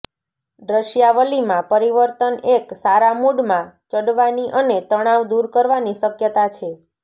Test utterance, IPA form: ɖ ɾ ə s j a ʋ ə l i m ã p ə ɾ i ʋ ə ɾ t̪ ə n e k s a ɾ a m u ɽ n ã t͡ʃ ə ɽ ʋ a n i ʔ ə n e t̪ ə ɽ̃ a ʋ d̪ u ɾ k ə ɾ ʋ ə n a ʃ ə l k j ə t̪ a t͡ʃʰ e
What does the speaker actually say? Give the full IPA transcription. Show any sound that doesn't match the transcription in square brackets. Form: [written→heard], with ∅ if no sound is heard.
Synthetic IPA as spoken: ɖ ɾ ə [s→ʃ] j a ʋ ə l i m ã p ə ɾ i ʋ ə ɾ t̪ ə n e k s a ɾ a m u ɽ [n→m] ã t͡ʃ ə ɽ ʋ a n i ʔ ə n e t̪ ə ɽ̃ a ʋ d̪ u ɾ k ə ɾ ʋ [ə→a] n [a→i] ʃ ə [l→∅] k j ə t̪ a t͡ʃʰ e